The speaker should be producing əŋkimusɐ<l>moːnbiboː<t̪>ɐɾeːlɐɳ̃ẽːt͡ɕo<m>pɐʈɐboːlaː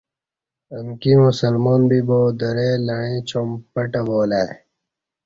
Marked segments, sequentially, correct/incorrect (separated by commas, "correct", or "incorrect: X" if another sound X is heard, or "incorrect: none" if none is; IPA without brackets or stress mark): correct, incorrect: d̪, correct